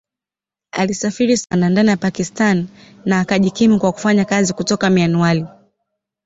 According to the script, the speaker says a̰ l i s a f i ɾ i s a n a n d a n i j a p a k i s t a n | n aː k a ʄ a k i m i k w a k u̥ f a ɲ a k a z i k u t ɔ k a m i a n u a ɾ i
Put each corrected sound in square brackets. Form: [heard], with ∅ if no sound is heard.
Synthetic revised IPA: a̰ l i s a f i ɾ i s a n a n d a n i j a p a k i s t a n | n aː k a ʄ [i] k i m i k w a k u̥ f a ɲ a k a z i k u t ɔ k a m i a n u a [l] i